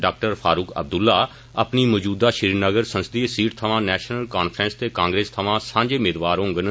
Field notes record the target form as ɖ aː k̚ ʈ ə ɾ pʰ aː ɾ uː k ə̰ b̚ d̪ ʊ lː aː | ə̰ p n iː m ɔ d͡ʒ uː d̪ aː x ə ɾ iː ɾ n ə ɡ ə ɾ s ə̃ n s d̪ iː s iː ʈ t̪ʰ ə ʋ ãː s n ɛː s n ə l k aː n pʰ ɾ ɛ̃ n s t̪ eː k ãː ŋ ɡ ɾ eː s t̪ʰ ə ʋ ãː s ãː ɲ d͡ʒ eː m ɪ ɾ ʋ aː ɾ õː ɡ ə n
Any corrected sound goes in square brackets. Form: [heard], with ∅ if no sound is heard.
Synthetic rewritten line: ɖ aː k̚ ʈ ə ɾ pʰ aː ɾ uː k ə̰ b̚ d̪ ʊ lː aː | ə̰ p n iː m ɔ d͡ʒ uː d̪ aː [ʃ] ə ɾ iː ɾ n ə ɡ ə ɾ s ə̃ n s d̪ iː s iː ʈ t̪ʰ ə ʋ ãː [∅] n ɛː [ʃ] n ə l k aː n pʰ ɾ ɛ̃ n s t̪ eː k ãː ŋ ɡ ɾ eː s t̪ʰ ə ʋ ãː s ãː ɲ d͡ʒ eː m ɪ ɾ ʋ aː ɾ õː ɡ ə n